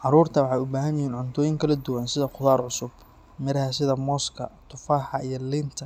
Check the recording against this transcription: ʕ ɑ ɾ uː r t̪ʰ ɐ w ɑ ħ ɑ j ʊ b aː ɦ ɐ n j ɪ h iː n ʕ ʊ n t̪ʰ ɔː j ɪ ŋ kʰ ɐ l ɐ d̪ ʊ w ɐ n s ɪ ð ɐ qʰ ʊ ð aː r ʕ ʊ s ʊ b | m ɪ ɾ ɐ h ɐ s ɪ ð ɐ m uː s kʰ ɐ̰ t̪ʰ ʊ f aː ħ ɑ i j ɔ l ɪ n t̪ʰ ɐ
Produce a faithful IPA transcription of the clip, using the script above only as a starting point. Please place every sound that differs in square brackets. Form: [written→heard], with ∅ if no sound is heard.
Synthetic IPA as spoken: ʕ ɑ ɾ uː r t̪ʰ ɐ w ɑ ħ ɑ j ʊ b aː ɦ ɐ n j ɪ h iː n ʕ ʊ n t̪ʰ ɔː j ɪ ŋ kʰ ɐ l ɐ d̪ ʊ w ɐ n s ɪ ð ɐ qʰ ʊ ð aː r ʕ ʊ s ʊ b | m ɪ ɾ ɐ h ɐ s ɪ ð ɐ m [uː→ɔː] s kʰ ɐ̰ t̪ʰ ʊ f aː ħ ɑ i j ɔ l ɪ n t̪ʰ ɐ